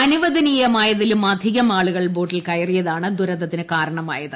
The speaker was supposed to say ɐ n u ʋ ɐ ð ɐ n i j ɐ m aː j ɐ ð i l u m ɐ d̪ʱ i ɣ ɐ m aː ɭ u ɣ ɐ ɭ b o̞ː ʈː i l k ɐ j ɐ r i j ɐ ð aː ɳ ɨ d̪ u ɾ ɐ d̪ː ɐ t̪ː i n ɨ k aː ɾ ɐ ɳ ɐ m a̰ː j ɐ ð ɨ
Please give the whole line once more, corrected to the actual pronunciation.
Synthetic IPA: ɐ n u ʋ ɐ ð ɐ n i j ɐ m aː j ɐ ð i l u m ɐ d̪ʱ i ɣ ɐ m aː ɭ u ɣ ɐ ɭ b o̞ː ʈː i l k ɐ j ɐ r i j ɐ ð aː ɳ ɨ d̪ u ɾ ɐ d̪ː ɐ t̪ː i n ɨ k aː ɾ ɐ ɳ ɐ m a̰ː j ɐ ð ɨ